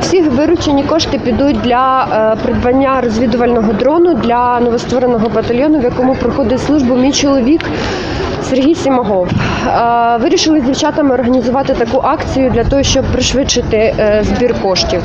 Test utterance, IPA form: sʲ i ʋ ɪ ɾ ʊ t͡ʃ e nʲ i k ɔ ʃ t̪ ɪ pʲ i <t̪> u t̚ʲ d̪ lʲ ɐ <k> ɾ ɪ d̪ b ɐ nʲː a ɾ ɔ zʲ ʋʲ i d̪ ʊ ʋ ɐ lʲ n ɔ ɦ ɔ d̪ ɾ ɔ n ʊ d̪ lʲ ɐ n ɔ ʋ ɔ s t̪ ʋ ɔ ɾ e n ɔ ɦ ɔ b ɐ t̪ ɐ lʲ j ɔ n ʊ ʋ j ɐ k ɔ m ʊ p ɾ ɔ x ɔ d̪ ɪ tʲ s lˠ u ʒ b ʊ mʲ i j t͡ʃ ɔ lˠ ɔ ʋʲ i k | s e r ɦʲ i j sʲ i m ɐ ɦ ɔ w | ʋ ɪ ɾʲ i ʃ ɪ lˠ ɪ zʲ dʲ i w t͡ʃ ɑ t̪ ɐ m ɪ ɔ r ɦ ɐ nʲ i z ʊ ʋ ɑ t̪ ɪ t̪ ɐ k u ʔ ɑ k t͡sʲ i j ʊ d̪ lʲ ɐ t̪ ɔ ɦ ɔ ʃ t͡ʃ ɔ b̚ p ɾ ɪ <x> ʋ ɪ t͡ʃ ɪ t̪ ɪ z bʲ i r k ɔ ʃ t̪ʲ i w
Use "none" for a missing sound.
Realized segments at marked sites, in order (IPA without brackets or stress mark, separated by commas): d̪, p, ʃ